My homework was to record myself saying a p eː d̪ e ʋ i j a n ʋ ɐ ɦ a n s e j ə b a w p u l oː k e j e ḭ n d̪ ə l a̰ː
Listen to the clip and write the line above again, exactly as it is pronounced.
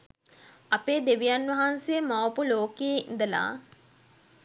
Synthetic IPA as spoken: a p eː d̪ e ʋ i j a n ʋ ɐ ɦ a n s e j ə m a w p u l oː k e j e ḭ n d̪ ə l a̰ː